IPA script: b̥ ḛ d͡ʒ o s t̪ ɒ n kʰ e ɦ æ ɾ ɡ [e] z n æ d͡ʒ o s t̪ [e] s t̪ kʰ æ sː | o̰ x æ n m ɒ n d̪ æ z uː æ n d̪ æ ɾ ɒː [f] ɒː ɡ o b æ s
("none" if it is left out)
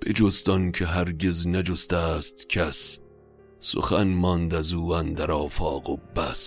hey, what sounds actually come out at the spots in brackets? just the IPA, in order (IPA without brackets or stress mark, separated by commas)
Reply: e, æ, f